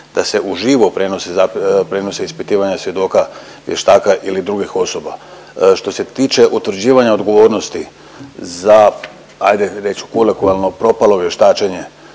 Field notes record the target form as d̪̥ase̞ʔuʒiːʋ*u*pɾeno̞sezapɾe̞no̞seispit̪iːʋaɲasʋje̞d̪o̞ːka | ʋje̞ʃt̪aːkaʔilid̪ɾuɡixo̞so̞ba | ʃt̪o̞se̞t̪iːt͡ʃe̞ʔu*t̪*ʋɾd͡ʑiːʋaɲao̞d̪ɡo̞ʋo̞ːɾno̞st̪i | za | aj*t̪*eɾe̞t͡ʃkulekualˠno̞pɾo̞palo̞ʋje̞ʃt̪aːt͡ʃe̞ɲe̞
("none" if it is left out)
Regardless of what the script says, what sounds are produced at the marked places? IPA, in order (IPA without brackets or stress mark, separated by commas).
o, t̪, d̪